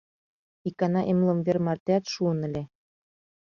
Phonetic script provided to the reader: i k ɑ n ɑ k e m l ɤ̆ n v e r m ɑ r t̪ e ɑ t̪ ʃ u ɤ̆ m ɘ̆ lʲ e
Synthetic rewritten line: i k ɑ n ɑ ʔ e m l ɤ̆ m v e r m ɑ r t̪ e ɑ t̪ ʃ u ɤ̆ n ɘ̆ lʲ e